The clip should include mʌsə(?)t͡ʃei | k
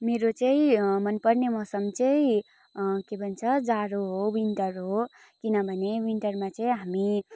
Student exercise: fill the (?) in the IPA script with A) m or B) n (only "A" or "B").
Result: A